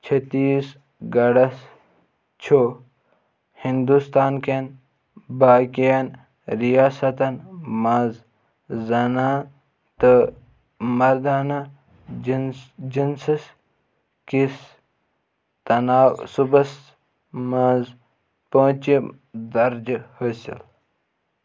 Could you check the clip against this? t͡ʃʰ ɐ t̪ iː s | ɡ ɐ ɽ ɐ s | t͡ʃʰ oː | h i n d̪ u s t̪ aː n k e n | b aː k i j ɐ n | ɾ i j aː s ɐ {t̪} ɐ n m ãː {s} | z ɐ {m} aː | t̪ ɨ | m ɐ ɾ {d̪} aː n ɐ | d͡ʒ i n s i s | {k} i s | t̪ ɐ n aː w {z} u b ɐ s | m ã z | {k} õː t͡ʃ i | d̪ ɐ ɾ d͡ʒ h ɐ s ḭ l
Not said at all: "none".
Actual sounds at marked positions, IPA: t̪, z, n, d̪, k, s, p

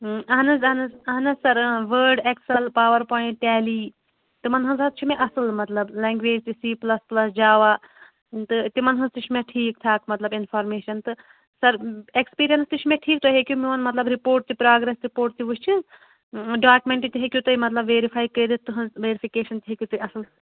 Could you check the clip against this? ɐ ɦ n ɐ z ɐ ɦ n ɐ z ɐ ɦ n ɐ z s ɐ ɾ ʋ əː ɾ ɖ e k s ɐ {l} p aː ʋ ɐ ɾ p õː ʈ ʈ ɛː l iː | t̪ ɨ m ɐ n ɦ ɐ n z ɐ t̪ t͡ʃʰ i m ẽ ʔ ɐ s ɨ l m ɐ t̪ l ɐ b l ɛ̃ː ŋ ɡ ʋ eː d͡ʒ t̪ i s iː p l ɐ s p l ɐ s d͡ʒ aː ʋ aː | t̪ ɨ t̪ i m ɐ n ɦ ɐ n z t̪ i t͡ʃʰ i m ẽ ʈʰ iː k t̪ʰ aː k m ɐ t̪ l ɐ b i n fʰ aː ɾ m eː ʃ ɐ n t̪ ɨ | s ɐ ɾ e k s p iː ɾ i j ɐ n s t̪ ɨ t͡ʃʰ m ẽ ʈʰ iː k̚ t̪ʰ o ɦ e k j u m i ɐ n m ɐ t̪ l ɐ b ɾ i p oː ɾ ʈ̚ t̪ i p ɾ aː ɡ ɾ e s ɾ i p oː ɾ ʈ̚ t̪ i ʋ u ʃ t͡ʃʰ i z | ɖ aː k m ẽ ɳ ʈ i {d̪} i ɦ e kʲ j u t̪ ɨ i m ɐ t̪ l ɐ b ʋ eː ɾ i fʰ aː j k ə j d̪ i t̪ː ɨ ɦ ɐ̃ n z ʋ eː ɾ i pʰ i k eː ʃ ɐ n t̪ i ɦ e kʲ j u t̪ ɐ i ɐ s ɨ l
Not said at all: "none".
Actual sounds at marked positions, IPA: l, t̪

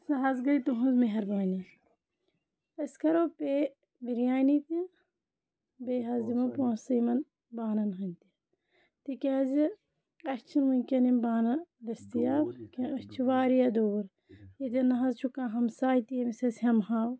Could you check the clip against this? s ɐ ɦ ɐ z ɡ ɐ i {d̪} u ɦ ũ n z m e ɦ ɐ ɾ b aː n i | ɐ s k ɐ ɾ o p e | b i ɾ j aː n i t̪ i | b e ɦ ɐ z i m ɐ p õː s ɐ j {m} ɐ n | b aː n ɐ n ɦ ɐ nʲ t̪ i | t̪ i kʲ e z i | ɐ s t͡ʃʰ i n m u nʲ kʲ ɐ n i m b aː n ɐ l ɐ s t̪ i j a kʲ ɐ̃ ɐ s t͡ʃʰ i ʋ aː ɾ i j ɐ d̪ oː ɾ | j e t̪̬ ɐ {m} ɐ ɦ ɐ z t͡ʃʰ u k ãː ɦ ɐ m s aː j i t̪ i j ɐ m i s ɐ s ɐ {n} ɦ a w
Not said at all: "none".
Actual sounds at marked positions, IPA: t̪, m, n, m

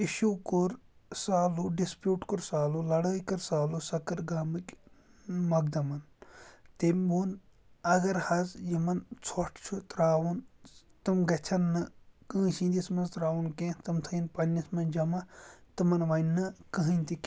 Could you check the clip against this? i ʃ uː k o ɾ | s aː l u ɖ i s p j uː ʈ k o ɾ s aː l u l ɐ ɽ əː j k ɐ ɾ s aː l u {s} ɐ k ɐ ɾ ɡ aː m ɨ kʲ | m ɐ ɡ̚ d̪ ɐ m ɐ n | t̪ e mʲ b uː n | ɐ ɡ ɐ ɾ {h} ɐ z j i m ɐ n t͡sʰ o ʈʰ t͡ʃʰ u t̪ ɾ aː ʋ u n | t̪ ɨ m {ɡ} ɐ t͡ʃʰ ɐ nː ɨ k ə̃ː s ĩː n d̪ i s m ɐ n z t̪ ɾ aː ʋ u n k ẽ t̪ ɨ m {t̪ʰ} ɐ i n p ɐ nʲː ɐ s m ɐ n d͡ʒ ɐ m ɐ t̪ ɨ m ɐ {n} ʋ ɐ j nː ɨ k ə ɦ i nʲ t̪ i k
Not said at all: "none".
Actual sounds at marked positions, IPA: s, h, ɡ, t̪ʰ, n

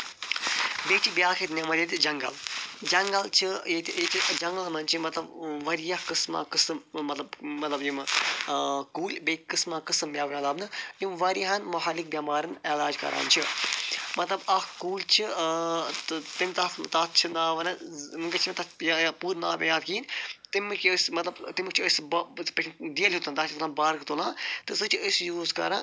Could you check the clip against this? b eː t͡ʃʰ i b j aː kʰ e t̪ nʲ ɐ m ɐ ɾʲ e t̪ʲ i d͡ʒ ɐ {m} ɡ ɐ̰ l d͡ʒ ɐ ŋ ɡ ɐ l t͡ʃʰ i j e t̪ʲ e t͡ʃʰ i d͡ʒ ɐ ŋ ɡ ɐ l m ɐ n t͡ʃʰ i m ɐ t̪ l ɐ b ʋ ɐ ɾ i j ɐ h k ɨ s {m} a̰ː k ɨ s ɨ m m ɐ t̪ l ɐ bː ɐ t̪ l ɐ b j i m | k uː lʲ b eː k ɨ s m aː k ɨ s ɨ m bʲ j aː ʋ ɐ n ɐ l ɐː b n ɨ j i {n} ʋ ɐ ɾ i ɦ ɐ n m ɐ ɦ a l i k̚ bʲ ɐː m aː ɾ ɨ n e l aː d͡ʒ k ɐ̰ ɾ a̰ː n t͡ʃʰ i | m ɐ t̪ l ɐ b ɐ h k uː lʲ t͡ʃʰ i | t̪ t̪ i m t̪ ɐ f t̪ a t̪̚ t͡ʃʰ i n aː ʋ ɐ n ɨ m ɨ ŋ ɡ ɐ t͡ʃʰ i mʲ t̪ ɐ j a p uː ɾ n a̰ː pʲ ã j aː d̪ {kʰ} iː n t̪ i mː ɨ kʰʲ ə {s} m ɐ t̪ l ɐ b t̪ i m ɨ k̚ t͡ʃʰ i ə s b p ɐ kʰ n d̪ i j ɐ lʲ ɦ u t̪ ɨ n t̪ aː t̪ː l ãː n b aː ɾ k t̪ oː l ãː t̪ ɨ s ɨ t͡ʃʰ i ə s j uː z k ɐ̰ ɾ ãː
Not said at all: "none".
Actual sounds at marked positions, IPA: ŋ, m, m, k, s

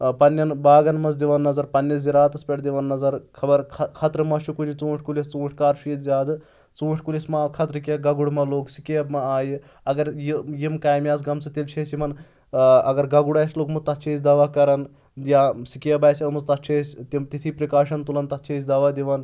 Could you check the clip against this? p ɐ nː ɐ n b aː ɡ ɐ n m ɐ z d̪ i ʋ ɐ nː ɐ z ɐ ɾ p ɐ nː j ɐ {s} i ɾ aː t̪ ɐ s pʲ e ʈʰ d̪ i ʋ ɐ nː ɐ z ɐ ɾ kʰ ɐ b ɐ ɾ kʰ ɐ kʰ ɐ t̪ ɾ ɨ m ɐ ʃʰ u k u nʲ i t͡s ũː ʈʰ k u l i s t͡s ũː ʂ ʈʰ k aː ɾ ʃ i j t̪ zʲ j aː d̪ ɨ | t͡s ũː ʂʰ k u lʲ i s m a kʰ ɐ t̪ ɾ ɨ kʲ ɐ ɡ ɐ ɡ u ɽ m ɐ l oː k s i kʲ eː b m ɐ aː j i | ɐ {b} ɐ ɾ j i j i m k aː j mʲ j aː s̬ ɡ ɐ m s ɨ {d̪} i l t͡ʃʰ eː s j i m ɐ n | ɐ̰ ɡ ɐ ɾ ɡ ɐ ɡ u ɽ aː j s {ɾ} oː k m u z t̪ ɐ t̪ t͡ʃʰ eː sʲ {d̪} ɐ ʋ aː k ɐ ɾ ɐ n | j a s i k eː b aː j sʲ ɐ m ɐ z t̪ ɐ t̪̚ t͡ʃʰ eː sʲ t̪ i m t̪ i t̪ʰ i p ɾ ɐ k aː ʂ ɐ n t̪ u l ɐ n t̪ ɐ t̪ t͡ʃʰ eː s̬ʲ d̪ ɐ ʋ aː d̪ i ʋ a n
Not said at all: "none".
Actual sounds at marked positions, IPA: z, ɡ, t̪, l, d̪

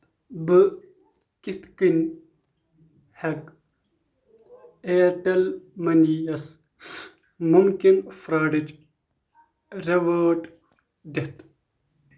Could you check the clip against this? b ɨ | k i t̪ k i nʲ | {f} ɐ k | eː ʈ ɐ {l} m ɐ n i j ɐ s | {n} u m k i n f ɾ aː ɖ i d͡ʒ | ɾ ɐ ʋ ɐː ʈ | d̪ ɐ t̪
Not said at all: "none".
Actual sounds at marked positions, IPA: h, l, m

